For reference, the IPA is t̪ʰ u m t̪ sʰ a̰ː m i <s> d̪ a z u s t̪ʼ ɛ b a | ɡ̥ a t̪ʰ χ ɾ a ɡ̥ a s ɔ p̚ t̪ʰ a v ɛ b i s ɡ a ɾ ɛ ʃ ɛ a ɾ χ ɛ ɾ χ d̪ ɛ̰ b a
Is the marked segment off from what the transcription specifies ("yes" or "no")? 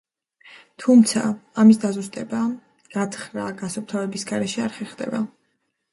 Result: no